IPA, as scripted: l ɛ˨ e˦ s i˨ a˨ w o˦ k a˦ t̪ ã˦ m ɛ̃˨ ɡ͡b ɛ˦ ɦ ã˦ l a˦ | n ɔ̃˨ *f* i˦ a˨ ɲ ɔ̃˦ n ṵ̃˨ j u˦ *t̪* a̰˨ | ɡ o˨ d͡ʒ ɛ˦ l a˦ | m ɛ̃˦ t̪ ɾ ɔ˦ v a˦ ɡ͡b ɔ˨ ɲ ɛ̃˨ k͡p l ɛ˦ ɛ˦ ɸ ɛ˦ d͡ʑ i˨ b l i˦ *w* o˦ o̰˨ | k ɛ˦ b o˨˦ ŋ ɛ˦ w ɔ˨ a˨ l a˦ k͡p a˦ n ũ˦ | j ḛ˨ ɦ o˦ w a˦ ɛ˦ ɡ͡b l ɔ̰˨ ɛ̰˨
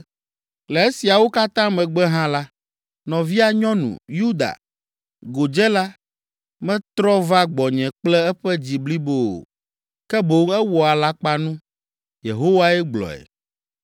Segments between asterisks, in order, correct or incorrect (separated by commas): incorrect, incorrect, incorrect